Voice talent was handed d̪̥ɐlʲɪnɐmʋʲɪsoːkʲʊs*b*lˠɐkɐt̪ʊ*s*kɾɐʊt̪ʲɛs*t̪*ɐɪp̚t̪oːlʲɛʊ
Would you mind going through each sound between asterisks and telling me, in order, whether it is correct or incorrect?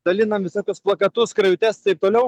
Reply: incorrect: p, correct, correct

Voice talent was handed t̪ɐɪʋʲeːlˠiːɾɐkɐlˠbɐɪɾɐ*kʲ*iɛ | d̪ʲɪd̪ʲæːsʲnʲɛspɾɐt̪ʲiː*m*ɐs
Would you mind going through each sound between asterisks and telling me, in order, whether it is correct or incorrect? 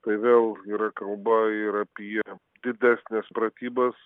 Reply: incorrect: pʲ, incorrect: b

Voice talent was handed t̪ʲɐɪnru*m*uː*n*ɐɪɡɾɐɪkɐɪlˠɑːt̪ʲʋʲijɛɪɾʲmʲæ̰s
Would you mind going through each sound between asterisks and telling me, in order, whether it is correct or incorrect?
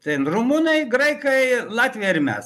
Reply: correct, correct

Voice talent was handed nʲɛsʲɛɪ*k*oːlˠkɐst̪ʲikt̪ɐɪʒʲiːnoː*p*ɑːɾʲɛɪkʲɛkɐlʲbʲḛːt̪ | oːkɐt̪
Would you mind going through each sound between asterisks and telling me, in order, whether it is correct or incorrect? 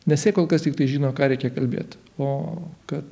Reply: correct, incorrect: k

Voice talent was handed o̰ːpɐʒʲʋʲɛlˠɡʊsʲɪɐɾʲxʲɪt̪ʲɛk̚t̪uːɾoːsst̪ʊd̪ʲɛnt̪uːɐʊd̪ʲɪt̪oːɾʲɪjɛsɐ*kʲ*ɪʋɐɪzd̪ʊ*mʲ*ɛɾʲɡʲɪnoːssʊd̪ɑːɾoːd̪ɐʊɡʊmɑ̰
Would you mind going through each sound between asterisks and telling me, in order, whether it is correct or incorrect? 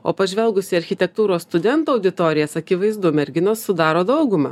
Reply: correct, correct

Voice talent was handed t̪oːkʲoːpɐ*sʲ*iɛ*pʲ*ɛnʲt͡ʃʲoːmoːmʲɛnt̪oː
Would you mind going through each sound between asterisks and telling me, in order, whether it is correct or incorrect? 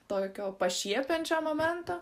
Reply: incorrect: ʃʲ, correct

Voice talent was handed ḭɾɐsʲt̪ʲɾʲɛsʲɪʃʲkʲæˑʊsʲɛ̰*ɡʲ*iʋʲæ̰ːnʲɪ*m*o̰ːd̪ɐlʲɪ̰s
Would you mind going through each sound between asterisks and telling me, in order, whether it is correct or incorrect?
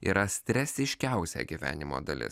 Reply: correct, correct

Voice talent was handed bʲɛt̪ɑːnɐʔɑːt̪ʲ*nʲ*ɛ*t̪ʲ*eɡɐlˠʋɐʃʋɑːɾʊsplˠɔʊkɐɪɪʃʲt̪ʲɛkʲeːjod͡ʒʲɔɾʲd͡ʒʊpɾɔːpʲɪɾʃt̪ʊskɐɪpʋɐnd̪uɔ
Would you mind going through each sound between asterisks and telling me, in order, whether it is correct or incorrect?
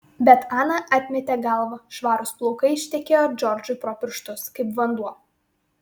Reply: incorrect: mʲ, correct

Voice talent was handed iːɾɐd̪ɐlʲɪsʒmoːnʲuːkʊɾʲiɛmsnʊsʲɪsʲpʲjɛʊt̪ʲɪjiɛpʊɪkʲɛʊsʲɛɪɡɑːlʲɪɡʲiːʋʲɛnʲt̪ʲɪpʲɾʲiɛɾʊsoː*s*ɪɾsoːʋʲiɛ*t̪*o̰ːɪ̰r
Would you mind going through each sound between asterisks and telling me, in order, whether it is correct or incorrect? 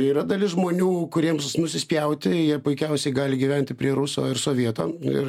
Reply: incorrect: none, correct

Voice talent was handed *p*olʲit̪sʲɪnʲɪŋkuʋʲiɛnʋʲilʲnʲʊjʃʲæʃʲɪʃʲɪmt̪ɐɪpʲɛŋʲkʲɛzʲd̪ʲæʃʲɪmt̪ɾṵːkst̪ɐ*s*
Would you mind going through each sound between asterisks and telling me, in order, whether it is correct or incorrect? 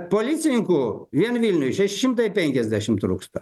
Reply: correct, incorrect: none

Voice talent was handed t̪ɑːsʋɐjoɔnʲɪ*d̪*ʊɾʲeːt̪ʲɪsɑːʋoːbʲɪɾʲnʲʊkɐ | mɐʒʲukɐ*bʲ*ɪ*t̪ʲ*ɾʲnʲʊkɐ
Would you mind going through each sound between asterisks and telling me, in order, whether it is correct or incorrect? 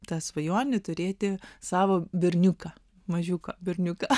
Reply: incorrect: t̪, correct, incorrect: none

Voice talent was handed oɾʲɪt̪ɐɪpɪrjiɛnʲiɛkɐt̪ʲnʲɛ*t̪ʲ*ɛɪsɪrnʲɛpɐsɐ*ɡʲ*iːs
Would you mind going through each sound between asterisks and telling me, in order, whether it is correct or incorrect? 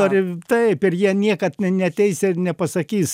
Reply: correct, incorrect: kʲ

